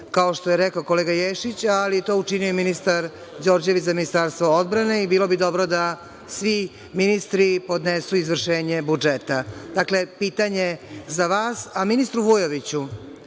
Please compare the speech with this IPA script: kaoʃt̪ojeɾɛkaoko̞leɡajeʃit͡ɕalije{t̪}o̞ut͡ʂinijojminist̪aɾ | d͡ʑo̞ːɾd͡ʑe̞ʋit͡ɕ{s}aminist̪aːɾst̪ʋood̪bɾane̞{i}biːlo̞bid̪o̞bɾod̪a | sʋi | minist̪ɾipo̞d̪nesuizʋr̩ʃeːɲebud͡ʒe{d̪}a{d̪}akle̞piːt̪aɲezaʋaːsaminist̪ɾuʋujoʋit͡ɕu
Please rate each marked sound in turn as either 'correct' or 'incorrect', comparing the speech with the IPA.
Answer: correct, incorrect, correct, incorrect, correct

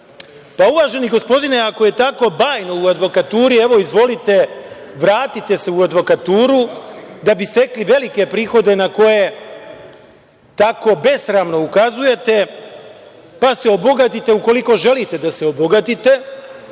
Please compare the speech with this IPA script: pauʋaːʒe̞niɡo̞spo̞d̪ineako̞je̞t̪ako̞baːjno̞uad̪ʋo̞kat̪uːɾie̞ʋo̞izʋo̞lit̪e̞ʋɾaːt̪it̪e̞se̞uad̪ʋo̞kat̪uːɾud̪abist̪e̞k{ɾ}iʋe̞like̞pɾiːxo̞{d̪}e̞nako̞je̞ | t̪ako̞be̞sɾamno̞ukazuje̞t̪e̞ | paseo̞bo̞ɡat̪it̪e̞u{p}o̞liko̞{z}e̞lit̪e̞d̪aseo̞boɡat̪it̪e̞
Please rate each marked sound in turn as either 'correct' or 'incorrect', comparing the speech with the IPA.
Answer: incorrect, correct, incorrect, incorrect

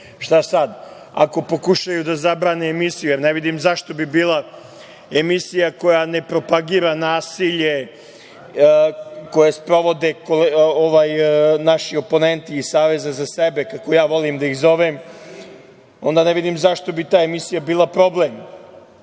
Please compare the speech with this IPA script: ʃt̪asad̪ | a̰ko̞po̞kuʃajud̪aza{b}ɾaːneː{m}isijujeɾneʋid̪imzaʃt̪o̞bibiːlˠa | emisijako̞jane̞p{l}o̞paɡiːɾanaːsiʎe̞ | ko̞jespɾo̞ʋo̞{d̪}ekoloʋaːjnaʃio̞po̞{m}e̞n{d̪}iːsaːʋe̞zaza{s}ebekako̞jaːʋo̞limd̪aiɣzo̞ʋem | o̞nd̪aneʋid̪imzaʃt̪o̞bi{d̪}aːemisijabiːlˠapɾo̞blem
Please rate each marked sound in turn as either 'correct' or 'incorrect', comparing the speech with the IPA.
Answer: correct, correct, incorrect, correct, incorrect, incorrect, correct, incorrect

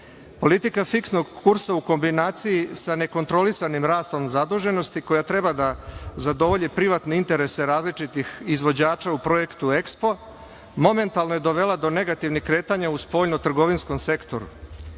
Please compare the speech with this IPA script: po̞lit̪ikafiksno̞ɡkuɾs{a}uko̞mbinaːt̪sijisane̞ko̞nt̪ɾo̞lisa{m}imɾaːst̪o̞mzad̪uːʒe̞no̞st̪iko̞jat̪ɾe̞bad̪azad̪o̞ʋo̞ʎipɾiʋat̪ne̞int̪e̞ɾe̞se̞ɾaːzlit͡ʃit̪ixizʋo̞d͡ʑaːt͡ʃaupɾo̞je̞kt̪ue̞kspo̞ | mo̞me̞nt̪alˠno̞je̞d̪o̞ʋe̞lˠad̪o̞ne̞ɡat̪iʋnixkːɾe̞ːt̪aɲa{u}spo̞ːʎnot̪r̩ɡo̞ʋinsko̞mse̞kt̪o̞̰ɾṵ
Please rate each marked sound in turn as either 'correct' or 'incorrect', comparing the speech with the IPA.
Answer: correct, incorrect, correct

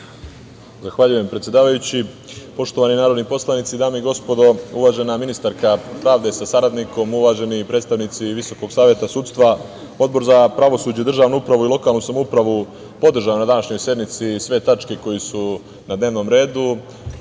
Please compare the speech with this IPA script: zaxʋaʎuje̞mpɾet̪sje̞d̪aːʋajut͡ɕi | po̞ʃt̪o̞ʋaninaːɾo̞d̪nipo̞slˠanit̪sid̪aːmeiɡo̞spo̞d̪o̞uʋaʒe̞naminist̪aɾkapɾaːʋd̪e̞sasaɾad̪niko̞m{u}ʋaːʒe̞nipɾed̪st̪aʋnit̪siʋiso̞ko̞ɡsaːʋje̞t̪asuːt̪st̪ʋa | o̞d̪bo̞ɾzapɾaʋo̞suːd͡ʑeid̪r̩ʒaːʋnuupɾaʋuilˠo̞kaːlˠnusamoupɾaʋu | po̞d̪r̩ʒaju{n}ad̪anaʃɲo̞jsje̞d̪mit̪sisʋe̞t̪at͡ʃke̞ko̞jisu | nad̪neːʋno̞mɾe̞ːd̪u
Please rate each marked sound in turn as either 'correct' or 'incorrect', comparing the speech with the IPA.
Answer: correct, correct

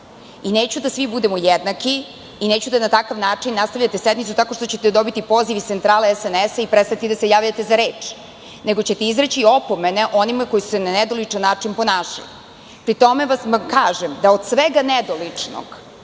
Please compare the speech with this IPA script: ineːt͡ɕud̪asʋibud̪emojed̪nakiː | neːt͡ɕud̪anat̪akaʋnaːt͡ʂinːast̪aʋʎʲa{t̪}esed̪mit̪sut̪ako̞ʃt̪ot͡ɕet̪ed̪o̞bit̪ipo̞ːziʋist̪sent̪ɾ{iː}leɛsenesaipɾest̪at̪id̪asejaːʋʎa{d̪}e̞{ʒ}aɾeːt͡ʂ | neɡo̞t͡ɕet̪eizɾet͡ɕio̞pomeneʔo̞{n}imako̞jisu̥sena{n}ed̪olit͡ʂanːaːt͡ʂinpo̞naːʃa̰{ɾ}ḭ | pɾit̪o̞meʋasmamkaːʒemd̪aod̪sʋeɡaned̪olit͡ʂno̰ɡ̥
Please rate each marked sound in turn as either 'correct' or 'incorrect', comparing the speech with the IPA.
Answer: correct, incorrect, incorrect, incorrect, correct, correct, incorrect

